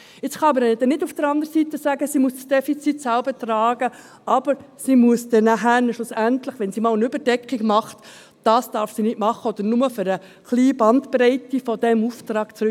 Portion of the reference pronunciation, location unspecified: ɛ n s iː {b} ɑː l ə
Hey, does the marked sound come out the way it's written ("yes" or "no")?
no